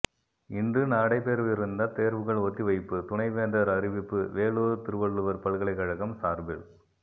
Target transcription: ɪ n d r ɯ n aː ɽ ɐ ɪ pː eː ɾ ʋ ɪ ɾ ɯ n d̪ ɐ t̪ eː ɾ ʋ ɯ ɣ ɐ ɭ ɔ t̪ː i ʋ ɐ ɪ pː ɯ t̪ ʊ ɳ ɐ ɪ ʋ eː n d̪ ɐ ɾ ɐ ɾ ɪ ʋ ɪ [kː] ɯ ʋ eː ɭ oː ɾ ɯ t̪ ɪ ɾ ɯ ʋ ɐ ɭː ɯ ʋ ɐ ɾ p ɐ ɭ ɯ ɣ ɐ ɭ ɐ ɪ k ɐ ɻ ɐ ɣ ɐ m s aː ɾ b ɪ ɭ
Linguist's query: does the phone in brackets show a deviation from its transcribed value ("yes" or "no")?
yes